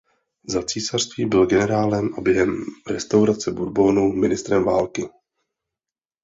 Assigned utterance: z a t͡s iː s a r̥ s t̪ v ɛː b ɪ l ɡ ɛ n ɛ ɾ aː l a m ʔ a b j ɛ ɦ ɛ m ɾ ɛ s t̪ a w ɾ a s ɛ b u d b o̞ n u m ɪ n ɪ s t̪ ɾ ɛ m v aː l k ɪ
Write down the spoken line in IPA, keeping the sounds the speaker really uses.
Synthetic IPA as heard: z a t͡s iː s a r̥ s t̪ v iː b ɪ l ɡ ɛ n ɛ ɾ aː l ɛ m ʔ a b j ɛ ɦ ɛ m ɾ ɛ s t̪ a w ɾ a t͡s ɛ b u d b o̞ n u m ɪ n ɪ s t̪ ɾ ɛ m v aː l k ɪ